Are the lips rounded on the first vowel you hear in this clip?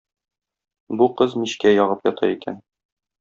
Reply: yes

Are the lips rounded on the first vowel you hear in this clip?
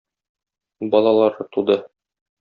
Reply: yes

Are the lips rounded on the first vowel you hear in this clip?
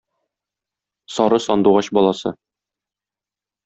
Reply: yes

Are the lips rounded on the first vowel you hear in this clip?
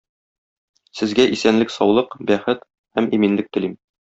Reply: no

